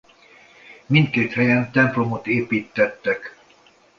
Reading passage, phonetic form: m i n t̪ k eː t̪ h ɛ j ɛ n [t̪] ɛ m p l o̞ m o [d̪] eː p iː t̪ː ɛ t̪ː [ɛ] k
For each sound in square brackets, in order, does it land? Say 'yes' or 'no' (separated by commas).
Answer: yes, no, yes